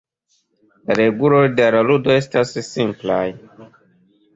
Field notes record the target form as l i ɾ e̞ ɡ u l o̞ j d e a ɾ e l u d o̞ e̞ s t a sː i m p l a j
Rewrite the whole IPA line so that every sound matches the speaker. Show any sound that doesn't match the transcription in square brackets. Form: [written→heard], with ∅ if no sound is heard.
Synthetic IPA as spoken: l [i→a] ɾ e̞ ɡ u l o̞ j d e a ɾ [e→a] l u d o̞ e̞ s t a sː i m p l a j